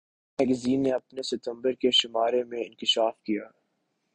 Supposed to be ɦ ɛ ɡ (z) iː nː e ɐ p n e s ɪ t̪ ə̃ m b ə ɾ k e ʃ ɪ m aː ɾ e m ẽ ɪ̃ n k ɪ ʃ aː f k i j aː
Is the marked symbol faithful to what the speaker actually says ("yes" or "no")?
yes